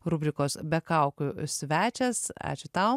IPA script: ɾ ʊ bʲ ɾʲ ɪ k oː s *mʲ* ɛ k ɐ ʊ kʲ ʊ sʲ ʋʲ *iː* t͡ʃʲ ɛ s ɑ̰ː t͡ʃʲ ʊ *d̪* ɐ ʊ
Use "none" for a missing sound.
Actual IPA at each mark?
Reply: bʲ, æː, t̪

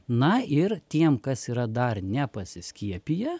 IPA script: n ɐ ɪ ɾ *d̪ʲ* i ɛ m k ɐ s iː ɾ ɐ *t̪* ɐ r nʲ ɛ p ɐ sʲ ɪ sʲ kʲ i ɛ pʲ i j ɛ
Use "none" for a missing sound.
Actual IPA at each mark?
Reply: t̪ʲ, d̪

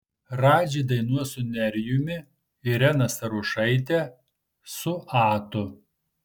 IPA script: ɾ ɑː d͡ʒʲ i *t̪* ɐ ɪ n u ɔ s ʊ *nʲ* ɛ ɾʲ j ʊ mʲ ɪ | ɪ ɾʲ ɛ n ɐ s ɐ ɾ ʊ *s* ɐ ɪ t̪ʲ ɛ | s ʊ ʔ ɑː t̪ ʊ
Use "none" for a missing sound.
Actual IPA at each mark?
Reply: d̪, nʲ, ʃ

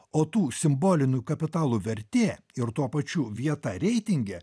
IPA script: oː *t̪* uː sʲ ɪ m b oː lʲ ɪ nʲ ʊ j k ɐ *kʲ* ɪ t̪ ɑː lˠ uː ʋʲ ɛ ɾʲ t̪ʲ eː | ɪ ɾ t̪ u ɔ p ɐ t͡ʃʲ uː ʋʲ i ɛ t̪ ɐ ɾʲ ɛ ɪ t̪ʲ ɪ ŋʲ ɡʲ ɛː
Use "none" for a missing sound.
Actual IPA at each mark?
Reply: t̪, pʲ

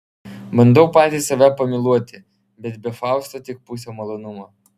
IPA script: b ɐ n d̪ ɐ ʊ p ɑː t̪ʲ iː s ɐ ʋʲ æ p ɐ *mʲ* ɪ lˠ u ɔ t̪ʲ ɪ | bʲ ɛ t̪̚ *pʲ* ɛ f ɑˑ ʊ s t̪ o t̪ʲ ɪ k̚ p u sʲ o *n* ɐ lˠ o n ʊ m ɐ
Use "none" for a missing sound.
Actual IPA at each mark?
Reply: mʲ, bʲ, m

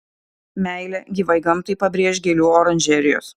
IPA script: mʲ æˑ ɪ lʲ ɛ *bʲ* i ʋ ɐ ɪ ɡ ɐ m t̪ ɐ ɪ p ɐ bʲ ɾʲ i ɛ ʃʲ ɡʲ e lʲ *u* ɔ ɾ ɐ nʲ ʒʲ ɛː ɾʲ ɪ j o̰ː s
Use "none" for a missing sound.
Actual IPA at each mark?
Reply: ɡʲ, uː

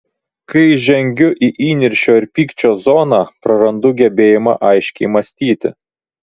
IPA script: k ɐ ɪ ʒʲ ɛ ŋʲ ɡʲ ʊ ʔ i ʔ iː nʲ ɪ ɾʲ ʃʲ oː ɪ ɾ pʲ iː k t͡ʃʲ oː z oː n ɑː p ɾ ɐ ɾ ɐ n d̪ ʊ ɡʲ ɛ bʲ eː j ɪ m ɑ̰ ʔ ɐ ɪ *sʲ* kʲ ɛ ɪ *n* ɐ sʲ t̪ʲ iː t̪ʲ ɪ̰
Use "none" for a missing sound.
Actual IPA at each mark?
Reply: ʃʲ, m

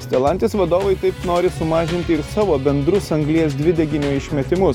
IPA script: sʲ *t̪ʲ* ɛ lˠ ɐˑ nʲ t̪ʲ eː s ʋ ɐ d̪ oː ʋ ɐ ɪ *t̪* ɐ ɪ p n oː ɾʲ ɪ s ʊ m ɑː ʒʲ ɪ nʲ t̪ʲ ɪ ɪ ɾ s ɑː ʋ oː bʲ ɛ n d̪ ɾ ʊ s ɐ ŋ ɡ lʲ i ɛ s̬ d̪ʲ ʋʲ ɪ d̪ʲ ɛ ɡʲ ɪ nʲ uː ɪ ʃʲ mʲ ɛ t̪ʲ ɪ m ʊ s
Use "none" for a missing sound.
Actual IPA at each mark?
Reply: t̪ʲ, t̪

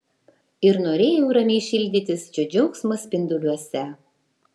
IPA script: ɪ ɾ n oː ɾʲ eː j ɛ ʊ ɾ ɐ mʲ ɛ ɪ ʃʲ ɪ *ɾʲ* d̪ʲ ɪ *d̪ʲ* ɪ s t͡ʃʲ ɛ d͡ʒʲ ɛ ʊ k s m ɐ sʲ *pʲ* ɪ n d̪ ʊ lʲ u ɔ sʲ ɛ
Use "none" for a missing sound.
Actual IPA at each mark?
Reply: lʲ, t̪ʲ, pʲ

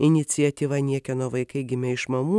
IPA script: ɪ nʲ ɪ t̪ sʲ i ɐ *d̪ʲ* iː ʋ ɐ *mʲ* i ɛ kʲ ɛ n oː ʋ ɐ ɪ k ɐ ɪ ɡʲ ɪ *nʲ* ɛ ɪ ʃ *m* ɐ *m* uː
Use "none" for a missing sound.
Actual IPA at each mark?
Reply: t̪ʲ, nʲ, mʲ, m, m

